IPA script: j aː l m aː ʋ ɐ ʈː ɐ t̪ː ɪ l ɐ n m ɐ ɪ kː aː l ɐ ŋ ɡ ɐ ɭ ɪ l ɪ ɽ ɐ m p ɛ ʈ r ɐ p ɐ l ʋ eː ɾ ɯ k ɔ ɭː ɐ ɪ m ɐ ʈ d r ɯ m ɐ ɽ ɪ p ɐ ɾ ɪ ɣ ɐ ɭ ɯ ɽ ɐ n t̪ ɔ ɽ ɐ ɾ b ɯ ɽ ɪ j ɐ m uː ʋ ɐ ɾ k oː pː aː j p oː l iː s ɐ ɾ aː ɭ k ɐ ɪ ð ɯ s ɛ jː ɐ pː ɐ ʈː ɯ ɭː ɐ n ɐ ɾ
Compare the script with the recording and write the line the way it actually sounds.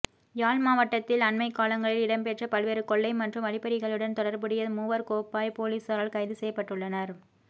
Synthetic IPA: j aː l m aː ʋ ɐ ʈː ɐ t̪ː ɪ l ɐ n m ɐ ɪ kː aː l ɐ ŋ ɡ ɐ ɭ ɪ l ɪ ɽ ɐ m p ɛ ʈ r ɐ p ɐ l ʋ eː ɾ ɯ k ɔ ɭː ɐ ɪ m ɐ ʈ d r ɯ m ɐ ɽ ɪ p ɐ ɾ ɪ ɣ ɐ ɭ ɯ ɽ ɐ n t̪ ɔ ɽ ɐ ɾ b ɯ ɽ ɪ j ɐ m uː ʋ ɐ ɾ k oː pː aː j p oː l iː s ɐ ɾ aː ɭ k ɐ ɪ ð ɯ s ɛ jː ɐ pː ɐ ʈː ɯ ɭː ɐ n ɐ ɾ